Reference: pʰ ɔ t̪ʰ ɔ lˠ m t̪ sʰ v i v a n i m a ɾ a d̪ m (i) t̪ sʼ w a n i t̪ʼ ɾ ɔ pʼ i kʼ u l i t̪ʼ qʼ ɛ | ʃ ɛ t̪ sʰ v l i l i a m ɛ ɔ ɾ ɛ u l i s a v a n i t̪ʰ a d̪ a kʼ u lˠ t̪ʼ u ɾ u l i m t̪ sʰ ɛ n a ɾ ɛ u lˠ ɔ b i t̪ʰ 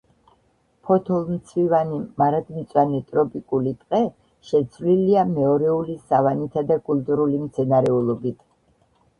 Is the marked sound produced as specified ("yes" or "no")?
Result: yes